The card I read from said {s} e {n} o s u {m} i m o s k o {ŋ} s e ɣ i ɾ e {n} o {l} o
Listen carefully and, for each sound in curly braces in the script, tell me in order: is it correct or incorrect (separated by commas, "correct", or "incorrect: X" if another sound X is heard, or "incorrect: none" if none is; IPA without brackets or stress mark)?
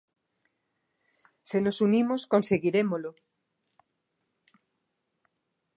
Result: correct, correct, incorrect: n, incorrect: n, incorrect: m, correct